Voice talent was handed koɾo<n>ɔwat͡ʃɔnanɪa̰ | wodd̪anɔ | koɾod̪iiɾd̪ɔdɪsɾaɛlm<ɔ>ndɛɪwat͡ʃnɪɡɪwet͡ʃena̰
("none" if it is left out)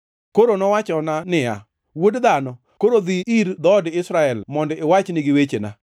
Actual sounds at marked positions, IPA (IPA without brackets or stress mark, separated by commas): n, ɔ